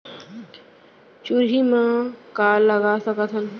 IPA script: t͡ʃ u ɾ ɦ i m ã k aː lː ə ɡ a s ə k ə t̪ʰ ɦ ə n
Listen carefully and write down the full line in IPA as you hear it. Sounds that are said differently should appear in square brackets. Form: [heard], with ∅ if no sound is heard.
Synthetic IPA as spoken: t͡ʃ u ɾ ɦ i m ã k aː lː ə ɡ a s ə k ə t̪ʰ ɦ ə n